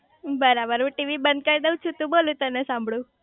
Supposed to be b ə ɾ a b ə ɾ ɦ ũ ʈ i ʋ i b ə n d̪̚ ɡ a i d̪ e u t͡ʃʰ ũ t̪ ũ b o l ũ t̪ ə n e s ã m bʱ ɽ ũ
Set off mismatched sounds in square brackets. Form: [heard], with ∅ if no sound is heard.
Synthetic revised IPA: b ə ɾ a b ə ɾ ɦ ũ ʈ i ʋ i b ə n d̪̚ [k] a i d̪ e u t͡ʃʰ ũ t̪ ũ b o l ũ t̪ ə n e s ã m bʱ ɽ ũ